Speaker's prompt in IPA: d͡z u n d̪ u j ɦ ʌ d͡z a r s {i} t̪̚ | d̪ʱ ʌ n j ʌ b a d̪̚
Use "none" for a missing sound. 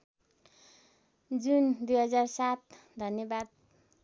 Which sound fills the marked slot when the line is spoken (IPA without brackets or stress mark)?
a